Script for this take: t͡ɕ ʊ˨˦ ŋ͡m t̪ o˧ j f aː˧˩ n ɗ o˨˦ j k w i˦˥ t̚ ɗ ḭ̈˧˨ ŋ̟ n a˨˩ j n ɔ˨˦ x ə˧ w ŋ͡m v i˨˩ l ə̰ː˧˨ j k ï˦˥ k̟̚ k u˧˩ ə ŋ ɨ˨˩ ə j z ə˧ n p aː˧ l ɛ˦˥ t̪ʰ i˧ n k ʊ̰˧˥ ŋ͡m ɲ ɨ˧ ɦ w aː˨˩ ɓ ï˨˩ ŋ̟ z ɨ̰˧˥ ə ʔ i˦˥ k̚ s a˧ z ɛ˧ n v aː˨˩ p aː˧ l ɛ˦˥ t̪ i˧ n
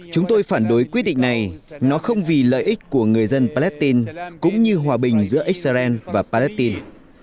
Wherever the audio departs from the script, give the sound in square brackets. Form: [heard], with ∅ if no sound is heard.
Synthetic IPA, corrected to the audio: t͡ɕ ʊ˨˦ ŋ͡m t̪ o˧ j f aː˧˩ n ɗ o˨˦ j k w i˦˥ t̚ ɗ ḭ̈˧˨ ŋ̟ n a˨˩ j n ɔ˨˦ x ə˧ w ŋ͡m v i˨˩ l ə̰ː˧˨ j [ʔ] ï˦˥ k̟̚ k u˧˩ ə ŋ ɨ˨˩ ə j z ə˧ n p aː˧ l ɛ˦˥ [t̪] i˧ n k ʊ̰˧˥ ŋ͡m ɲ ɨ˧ ɦ w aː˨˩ ɓ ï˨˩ ŋ̟ z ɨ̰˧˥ ə ʔ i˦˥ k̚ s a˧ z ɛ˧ n v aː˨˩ p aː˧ l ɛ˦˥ t̪ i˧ n